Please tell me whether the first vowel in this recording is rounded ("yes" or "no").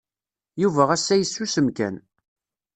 yes